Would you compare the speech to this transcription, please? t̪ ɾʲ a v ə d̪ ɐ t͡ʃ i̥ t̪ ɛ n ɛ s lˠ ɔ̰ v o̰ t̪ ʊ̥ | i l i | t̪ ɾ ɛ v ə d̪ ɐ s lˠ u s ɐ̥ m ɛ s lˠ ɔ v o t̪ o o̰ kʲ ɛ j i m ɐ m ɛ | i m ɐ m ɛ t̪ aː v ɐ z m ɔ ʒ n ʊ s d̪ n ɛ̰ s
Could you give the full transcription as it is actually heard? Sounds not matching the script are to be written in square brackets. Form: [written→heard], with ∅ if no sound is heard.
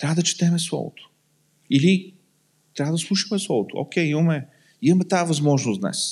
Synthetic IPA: t̪ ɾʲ a v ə d̪ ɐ t͡ʃ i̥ t̪ ɛ [n→m] ɛ s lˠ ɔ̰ v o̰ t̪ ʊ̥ | i l i | t̪ ɾ [ɛ→a] v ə d̪ ɐ s lˠ u [s→ʃ] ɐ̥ m ɛ s lˠ ɔ v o t̪ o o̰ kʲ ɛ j i m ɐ m ɛ | i m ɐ m ɛ t̪ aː v ɐ z m ɔ ʒ n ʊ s d̪ n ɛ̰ s